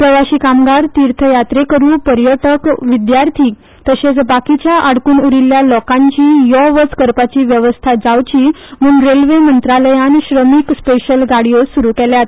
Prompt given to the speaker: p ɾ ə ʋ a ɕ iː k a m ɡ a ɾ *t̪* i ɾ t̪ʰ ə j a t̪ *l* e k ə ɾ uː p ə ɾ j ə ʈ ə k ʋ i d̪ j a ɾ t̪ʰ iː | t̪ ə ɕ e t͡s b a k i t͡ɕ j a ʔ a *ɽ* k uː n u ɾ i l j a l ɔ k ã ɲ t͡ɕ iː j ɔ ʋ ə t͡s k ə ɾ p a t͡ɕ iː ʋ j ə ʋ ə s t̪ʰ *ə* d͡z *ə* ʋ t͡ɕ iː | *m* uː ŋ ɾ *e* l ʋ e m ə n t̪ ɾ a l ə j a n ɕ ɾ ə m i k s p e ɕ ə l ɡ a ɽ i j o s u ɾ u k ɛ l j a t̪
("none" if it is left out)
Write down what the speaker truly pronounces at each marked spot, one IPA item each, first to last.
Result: t̪, ɾ, ɽ, a, a, m, e

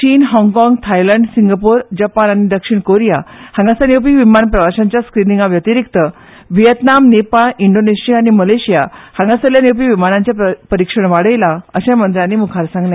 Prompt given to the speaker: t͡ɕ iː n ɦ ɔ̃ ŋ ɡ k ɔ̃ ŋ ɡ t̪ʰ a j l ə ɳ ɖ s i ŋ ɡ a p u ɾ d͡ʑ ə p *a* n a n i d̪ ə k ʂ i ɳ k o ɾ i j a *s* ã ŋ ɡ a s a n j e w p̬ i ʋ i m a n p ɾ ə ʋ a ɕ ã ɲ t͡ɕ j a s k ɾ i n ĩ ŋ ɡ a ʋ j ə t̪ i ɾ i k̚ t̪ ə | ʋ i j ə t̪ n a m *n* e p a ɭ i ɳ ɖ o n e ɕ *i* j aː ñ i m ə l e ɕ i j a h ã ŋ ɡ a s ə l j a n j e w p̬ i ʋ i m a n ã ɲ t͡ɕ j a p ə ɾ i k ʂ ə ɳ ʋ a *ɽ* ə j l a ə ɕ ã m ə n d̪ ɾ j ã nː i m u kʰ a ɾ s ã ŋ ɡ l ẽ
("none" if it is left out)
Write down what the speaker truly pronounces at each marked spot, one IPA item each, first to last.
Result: a, h, n, i, ɽ

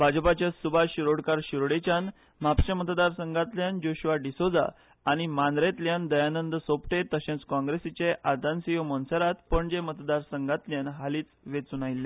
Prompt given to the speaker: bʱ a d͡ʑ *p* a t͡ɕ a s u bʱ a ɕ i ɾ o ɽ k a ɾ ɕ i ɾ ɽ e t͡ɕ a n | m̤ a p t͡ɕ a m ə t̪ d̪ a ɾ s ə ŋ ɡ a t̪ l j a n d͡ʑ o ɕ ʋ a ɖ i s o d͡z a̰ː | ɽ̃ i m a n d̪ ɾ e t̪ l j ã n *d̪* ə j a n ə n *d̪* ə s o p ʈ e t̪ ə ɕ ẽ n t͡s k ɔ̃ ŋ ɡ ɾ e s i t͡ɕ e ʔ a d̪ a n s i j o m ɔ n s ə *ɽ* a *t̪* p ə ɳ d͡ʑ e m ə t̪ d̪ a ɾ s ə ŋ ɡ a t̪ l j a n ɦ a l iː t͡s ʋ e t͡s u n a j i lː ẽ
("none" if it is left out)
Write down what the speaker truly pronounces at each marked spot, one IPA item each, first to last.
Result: p, d̪, d̪, ɾ, t̪

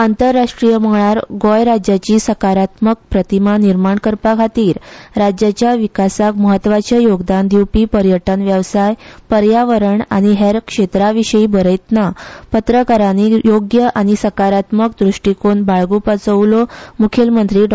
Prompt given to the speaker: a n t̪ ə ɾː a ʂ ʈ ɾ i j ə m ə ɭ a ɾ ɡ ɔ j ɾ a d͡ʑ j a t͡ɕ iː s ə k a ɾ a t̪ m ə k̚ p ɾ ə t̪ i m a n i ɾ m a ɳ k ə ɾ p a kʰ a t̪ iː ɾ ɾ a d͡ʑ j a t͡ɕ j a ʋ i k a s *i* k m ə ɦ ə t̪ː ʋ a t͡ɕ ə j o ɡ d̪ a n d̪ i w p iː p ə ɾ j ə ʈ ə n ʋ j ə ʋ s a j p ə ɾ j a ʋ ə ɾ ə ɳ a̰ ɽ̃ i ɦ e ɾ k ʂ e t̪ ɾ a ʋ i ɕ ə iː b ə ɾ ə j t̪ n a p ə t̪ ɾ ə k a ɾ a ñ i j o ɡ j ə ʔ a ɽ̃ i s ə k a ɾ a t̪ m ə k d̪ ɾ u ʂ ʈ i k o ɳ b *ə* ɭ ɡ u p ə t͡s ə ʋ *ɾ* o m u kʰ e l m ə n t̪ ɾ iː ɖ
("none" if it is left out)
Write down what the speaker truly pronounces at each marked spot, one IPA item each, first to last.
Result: a, a, l

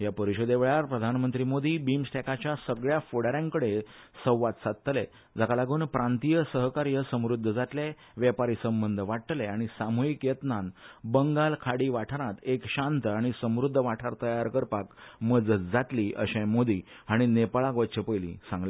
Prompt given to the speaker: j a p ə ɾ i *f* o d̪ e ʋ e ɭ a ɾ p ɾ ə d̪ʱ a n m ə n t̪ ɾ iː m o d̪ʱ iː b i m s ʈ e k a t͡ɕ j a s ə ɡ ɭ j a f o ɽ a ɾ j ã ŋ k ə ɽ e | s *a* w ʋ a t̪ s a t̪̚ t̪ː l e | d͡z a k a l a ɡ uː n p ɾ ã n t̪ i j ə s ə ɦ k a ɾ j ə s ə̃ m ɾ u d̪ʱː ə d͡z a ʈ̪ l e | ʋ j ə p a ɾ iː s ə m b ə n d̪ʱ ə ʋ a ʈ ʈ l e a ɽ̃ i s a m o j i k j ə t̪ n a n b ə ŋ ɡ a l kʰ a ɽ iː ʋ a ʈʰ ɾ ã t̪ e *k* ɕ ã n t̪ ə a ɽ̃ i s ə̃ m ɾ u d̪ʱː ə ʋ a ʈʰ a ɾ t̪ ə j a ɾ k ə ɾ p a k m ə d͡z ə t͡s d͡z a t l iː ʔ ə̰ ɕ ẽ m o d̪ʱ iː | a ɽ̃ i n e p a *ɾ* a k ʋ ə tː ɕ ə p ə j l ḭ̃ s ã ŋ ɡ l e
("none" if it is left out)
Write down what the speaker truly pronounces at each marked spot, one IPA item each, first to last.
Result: ɕ, ə, k, ɭ

